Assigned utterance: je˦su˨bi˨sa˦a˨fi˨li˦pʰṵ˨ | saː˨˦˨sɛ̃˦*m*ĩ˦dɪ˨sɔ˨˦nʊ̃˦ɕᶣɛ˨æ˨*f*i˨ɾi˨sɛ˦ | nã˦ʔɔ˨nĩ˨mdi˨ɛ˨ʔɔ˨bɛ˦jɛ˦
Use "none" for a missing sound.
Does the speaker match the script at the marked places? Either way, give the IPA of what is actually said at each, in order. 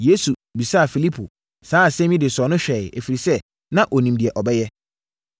m, f

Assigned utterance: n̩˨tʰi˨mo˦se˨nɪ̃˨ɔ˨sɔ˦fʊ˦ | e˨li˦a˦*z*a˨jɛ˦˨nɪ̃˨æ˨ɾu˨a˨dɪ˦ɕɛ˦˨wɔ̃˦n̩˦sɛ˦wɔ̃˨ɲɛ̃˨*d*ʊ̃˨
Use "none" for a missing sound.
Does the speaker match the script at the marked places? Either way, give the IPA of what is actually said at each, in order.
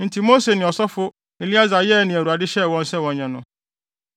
z, n

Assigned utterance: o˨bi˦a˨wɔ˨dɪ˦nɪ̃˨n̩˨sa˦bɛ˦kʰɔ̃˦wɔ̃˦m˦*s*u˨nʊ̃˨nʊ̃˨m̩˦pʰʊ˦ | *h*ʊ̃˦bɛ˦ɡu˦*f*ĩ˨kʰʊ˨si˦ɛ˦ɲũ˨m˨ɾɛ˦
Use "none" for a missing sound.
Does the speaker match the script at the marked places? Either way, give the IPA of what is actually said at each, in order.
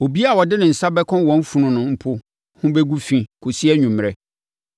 f, h, f

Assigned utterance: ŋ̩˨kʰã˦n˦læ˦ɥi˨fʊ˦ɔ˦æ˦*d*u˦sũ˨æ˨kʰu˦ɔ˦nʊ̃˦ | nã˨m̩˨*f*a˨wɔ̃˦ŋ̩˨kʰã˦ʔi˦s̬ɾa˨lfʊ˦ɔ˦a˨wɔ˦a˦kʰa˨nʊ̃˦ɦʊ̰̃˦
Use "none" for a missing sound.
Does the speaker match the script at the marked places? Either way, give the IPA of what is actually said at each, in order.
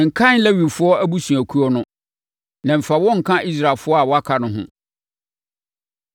b, f

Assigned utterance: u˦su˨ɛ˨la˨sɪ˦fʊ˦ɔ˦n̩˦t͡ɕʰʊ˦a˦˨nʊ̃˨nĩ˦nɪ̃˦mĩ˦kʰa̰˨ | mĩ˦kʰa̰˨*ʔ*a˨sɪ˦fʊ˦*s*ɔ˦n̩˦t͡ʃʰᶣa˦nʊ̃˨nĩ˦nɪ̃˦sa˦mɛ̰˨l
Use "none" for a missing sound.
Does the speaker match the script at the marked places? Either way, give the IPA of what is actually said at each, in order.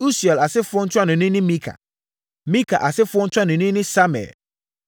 ʔ, none

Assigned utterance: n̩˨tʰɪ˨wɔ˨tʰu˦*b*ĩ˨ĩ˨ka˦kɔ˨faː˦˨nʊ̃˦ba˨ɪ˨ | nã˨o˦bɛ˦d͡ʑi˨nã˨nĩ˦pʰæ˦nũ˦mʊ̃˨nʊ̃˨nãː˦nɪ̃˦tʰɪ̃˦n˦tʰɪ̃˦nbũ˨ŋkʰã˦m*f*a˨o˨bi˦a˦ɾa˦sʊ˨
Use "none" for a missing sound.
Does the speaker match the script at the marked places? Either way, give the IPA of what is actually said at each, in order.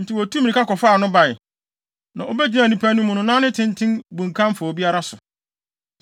m, f

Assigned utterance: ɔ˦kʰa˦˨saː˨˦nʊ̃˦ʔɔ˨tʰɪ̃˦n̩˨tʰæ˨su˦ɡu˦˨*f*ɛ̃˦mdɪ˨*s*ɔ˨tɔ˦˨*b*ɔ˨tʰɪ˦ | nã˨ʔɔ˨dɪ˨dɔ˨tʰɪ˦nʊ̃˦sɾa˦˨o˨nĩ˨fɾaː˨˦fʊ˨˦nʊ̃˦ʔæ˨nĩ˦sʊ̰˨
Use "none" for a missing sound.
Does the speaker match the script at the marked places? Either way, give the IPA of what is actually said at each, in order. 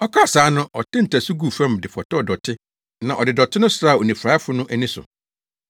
f, f, d

